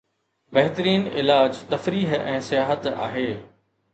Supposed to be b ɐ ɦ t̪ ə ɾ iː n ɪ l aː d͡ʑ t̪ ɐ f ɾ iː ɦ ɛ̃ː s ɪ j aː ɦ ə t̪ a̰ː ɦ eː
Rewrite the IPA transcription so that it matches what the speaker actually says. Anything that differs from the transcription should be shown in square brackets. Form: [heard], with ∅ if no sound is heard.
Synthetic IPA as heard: b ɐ ɦ t̪ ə ɾ iː n ɪ l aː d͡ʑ t̪ ɐ f ɾ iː ɦ ɛ̃ː s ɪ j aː ɦ ə t̪ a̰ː ɦ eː